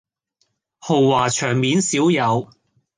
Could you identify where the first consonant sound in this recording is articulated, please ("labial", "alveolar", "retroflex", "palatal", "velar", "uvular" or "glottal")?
glottal